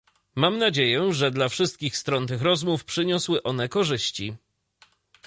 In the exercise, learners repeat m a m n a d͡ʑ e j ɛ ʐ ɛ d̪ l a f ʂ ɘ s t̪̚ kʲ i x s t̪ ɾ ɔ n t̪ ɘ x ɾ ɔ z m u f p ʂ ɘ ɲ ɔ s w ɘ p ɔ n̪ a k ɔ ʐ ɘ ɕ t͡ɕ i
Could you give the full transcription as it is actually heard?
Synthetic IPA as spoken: m a m n a d͡ʑ e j ɛ ʐ ɛ d̪ l a f ʂ ɘ s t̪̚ kʲ i x s t̪ ɾ ɔ n t̪ ɘ x ɾ ɔ z m u f p ʂ ɘ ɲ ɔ s w ɘ ʔ ɔ n̪ ɛ k ɔ ʐ ɘ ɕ t͡ɕ i